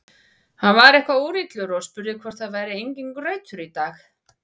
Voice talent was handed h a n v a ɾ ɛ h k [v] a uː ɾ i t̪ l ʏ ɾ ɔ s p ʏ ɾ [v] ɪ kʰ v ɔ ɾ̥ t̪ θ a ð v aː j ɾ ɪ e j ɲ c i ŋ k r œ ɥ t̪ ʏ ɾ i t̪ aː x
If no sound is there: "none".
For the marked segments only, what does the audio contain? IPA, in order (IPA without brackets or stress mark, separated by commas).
v, ð